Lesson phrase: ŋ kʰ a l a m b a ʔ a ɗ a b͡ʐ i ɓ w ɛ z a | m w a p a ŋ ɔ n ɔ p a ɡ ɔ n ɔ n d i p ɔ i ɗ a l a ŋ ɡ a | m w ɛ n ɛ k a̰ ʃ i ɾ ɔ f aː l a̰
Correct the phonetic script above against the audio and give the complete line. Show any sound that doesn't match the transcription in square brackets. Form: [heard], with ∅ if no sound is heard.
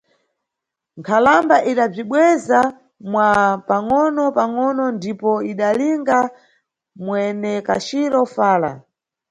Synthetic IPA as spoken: ŋ kʰ a l a m b a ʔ [i] ɗ a b͡ʐ i ɓ w ɛ z a | m w a p a ŋ ɔ n ɔ p a [ŋ] ɔ n ɔ n d i p ɔ i ɗ a l [i] ŋ ɡ a | m w ɛ n ɛ k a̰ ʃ i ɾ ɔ f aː l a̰